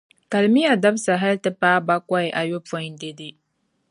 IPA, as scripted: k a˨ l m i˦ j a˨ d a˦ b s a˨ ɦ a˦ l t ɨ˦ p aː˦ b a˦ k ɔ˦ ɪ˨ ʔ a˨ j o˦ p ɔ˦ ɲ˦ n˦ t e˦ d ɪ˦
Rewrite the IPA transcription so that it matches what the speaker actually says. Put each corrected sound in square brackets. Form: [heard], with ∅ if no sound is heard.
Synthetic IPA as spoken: k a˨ l m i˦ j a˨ d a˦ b s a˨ ɦ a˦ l t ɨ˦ p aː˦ b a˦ k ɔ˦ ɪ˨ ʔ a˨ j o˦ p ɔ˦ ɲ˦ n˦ [d] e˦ d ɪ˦